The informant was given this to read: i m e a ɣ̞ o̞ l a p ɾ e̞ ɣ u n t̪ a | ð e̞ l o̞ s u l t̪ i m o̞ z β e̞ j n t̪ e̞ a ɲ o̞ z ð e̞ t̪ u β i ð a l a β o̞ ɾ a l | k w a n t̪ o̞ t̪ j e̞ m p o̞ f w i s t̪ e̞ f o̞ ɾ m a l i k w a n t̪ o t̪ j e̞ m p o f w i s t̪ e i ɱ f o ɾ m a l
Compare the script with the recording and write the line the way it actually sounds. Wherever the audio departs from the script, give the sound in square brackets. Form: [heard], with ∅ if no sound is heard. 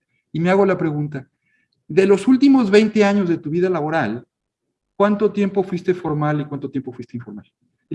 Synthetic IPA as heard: i m e a ɣ̞ o̞ l a p ɾ e̞ ɣ u n t̪ a | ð e̞ l o̞ s u l t̪ i m o̞ z β e̞ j n t̪ e̞ a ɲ o̞ z ð e̞ t̪ u β i ð a l a β o̞ ɾ a l | k w a n t̪ o̞ t̪ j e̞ m p o̞ f w i s t̪ e̞ f o̞ ɾ m a l i k w a n t̪ o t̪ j e̞ m p o f w i s t̪ e i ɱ f o ɾ m a l